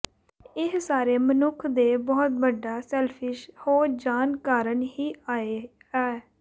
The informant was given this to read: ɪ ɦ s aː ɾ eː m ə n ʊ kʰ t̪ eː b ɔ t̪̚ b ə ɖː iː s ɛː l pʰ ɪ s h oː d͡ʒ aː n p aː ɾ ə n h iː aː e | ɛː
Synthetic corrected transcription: ɪ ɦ s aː ɾ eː m ə n ʊ kʰ d̪ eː b ɔː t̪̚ b ə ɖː aː s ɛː l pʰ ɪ ʃ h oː d͡ʒ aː n k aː ɾ ə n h iː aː e | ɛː